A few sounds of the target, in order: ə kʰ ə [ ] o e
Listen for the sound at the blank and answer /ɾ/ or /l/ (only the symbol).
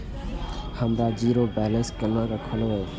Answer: l